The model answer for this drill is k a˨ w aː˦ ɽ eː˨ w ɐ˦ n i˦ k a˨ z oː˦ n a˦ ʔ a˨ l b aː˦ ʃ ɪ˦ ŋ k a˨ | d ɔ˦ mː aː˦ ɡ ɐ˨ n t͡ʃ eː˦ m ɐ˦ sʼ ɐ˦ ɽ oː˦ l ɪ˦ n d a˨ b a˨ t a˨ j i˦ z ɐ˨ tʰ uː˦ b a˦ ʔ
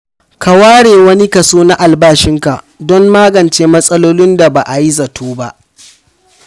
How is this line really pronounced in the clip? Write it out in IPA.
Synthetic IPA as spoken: k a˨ w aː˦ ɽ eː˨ w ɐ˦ n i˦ k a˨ s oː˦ n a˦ ʔ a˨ l b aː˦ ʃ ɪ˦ ŋ k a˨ | d ɔ˦ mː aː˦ ɡ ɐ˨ n t͡ʃ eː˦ m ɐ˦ sʼ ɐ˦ l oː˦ l ɪ˦ n d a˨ b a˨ ʔ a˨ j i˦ z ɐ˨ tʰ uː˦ b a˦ ʔ